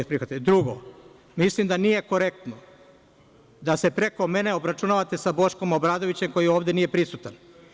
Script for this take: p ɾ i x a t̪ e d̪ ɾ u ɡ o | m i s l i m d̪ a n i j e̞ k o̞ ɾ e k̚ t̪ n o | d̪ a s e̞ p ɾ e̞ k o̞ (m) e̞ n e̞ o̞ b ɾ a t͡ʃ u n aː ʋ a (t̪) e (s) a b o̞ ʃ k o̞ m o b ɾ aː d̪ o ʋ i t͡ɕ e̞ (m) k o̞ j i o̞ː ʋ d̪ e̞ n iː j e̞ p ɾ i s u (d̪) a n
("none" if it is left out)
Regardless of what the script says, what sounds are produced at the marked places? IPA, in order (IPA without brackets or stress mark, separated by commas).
m, t̪, s, m, t̪